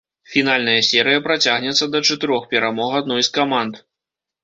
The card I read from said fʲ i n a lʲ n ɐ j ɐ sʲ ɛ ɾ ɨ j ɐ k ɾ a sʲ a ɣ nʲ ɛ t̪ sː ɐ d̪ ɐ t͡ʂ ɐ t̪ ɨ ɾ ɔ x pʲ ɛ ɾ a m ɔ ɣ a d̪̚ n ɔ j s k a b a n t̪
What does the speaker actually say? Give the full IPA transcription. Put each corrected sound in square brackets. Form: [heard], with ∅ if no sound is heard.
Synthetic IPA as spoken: fʲ i n a lʲ n ɐ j ɐ sʲ ɛ ɾ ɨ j ɐ [p] ɾ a [t͡sʲ] a ɣ nʲ ɛ t̪ sː ɐ d̪ ɐ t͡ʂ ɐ t̪ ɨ ɾ ɔ x pʲ ɛ ɾ a m ɔ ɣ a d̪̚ n ɔ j s k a [m] a n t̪